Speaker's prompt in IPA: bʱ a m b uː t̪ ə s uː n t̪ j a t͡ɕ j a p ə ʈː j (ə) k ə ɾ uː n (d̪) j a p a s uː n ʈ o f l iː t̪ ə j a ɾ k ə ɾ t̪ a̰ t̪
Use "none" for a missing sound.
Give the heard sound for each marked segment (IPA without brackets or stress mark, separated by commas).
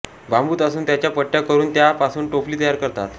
a, t̪